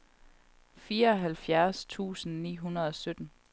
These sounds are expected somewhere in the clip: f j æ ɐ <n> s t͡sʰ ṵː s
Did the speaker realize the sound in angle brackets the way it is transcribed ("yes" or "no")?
no